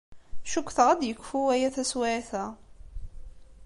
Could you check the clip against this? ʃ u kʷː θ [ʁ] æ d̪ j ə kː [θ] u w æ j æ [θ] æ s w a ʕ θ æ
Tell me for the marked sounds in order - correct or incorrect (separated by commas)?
correct, incorrect, correct